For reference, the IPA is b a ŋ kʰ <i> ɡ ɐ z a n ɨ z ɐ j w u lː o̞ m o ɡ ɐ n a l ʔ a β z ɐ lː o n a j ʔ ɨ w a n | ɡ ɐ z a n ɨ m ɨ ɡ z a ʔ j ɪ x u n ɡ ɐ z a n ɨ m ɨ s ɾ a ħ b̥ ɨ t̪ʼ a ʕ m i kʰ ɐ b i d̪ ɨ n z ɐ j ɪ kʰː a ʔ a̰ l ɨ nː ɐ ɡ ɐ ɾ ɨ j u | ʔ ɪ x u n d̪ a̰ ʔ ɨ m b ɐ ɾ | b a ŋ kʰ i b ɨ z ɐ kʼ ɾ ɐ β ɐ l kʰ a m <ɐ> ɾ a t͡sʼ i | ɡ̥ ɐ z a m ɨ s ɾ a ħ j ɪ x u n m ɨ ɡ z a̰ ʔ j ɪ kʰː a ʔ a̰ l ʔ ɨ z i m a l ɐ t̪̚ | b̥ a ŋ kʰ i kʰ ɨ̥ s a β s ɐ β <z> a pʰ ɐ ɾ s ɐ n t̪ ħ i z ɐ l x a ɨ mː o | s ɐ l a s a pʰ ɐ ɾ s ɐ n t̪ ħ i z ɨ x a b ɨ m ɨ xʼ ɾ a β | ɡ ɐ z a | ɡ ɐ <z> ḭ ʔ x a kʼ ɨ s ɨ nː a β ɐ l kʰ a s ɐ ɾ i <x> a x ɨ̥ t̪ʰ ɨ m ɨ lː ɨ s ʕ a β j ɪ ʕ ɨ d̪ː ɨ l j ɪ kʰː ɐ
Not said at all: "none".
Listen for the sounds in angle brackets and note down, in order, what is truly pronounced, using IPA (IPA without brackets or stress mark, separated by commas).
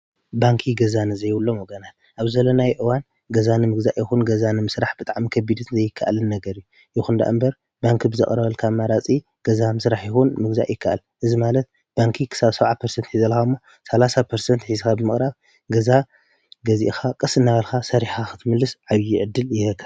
i, a, ʕ, z, ħ